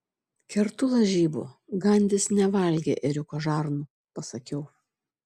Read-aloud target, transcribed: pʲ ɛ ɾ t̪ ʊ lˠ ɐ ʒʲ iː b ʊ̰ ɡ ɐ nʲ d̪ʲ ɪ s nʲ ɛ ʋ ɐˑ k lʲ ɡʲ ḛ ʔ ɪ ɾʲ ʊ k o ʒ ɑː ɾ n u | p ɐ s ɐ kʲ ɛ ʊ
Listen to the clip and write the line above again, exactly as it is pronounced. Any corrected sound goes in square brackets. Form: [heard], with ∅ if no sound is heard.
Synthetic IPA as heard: [kʲ] ɛ ɾ t̪ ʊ lˠ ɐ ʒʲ iː b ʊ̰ ɡ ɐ nʲ d̪ʲ ɪ s nʲ ɛ ʋ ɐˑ [∅] lʲ ɡʲ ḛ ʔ ɪ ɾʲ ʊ k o ʒ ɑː ɾ n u | p ɐ s ɐ kʲ ɛ ʊ